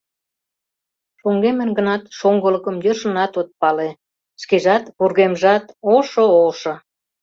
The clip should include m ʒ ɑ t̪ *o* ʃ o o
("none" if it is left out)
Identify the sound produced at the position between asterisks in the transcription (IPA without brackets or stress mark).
o